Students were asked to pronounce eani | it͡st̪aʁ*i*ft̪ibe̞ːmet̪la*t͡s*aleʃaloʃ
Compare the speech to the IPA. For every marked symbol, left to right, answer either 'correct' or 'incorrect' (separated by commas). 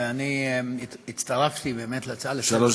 incorrect, correct